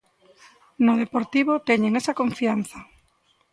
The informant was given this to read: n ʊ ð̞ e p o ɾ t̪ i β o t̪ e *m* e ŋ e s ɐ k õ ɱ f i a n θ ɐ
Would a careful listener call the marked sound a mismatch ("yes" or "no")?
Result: yes